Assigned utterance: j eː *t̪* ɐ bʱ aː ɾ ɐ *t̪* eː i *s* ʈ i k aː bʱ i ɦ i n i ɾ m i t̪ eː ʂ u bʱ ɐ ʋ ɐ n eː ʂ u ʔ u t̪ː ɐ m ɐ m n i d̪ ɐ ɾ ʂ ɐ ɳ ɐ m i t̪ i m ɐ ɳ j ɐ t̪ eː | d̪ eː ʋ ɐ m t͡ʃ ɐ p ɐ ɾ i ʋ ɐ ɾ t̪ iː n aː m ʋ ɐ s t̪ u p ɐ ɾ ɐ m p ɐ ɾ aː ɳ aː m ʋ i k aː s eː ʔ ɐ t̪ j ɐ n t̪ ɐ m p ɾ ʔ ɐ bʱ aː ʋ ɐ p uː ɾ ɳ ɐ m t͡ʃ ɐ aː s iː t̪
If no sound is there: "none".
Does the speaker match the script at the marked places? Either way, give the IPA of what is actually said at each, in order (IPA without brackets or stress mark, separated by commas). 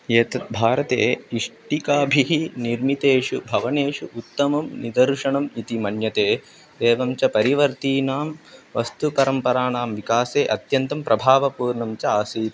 t̪, t̪, ʂ